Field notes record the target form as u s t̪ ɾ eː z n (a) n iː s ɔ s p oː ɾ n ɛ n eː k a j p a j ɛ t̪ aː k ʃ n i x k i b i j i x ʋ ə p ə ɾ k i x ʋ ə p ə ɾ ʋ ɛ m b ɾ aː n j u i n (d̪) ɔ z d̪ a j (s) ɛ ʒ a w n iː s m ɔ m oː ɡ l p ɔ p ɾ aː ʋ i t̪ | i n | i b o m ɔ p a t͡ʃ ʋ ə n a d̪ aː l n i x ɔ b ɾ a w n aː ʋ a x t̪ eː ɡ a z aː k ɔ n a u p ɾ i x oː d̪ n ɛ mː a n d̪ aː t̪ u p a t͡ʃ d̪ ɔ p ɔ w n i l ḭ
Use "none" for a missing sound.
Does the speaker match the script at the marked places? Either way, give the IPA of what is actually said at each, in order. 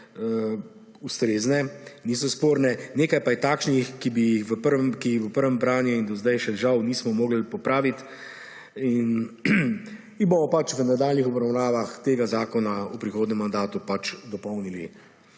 ɛ, d̪, ʃ

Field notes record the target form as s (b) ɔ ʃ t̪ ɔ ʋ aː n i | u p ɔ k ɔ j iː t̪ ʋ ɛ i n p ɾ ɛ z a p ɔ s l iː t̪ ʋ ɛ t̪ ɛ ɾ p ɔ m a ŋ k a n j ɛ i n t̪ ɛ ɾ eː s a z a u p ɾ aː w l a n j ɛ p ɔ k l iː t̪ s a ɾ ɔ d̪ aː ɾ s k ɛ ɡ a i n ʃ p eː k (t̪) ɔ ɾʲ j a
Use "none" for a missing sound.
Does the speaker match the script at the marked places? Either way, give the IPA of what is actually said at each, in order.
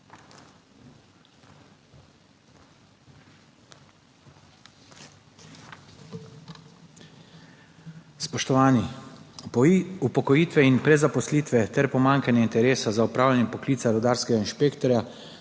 p, t̪

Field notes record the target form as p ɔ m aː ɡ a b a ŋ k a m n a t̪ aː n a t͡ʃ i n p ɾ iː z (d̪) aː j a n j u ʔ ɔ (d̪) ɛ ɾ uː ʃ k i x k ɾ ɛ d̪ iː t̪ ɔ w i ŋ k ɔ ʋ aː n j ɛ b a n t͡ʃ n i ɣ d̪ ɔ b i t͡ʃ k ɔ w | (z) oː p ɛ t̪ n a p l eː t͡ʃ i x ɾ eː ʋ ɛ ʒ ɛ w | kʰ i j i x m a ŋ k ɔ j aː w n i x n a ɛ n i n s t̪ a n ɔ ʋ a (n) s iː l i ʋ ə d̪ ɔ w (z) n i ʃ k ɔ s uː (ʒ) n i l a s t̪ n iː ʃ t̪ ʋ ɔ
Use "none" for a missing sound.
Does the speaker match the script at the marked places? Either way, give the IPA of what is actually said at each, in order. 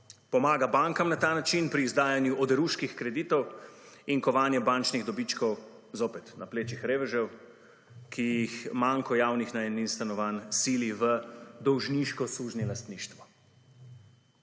d̪, d̪, z, n, ʒ, ʒ

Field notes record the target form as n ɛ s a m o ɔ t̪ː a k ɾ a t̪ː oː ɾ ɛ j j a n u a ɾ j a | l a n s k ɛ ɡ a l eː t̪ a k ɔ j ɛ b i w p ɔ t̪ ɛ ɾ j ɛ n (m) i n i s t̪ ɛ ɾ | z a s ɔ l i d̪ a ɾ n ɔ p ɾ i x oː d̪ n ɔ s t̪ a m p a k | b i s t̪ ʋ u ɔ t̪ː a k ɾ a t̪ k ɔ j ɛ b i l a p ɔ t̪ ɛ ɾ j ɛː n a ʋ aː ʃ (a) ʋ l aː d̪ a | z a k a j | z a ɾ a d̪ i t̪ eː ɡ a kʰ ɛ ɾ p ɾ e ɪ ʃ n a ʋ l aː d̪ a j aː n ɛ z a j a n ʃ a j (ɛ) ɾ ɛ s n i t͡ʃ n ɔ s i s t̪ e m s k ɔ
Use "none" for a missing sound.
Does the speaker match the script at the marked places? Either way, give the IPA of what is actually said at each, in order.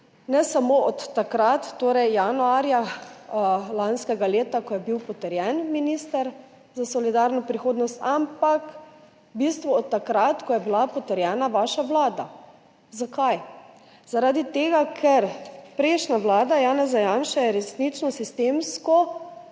m, a, ɛ

